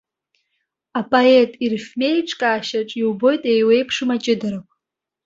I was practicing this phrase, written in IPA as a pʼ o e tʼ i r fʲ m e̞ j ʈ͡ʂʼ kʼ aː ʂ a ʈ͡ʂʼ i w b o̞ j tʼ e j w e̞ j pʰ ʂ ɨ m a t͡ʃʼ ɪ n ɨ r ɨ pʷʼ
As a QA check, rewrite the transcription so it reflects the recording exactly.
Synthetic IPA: a pʼ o e tʼ i r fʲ m e̞ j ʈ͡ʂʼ kʼ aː ʃ a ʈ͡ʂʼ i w b o̞ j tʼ e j w e̞ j pʰ ʂ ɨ m a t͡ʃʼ ɪ d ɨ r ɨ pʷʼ